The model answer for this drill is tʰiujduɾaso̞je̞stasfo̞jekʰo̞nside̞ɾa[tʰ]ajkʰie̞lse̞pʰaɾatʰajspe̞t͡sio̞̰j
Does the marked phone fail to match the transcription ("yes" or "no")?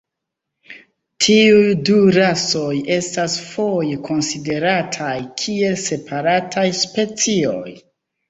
no